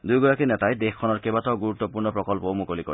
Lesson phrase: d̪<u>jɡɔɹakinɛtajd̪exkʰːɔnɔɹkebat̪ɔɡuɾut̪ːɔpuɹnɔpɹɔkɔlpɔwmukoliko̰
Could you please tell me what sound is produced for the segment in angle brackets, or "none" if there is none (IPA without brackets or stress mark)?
u